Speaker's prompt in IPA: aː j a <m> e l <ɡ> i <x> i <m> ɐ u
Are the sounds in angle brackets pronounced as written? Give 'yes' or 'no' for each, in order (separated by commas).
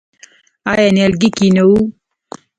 no, yes, no, no